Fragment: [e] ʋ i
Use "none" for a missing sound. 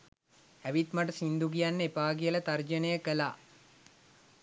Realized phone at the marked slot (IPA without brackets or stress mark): æ